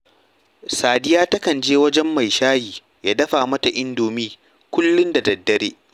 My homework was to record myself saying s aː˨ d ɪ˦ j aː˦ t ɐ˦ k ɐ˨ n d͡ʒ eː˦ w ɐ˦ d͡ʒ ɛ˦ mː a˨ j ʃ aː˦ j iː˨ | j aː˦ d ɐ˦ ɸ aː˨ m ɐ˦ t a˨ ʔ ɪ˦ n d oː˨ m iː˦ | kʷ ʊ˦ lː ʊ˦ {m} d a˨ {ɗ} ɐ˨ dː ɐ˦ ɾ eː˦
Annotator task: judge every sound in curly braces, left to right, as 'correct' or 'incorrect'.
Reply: incorrect: n, incorrect: d

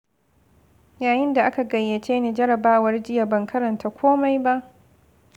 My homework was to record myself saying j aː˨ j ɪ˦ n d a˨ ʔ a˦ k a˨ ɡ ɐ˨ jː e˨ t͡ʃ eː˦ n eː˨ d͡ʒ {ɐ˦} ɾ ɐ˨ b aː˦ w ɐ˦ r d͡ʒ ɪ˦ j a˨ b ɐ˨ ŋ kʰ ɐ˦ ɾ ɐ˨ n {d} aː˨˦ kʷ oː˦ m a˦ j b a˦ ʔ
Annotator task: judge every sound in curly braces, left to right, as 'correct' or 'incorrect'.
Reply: correct, incorrect: t

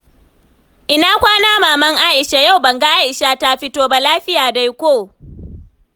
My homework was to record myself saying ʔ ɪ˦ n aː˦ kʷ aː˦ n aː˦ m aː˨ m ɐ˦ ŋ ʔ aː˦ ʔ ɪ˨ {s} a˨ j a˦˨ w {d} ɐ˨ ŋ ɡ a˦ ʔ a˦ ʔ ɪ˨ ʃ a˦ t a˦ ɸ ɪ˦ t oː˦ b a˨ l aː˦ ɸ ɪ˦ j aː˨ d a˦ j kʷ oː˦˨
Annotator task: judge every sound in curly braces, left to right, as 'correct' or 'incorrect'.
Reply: incorrect: ʃ, incorrect: b

